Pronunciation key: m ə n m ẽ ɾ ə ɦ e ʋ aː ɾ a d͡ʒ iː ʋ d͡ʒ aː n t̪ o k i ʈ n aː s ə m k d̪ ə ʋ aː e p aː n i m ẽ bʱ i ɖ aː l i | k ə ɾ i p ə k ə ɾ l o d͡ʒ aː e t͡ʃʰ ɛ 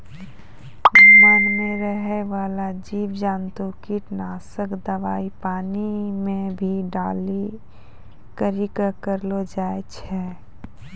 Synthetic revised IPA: m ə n m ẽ ɾ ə ɦ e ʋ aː l a d͡ʒ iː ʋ d͡ʒ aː n t̪ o k i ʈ n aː s ə k d̪ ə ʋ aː i p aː n i m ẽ bʱ i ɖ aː l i | k ə ɾ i k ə k ə ɾ l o d͡ʒ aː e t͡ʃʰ ɛ